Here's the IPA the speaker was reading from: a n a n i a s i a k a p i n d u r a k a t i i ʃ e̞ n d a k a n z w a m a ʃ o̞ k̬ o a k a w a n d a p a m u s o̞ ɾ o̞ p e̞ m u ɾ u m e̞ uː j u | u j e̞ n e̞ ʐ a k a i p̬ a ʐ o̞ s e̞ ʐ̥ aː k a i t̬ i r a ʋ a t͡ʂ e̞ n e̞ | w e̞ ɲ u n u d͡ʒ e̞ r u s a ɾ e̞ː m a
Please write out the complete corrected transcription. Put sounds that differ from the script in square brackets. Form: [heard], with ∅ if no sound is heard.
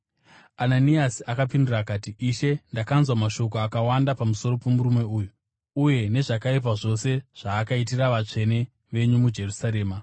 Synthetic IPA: a n a n i a s i a k a p i n d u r a k a t i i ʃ e̞ n d a k a n z w a m a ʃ o̞ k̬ o a k a w a n d a p a m u s o̞ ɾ o̞ p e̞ m u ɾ u m e̞ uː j u | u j e̞ n e̞ ʐ a k a i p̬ a ʐ o̞ s e̞ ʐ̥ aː k a i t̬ i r a ʋ a t͡ʂ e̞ n e̞ | [ʋ] e̞ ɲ u [m] u d͡ʒ e̞ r u s a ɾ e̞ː m a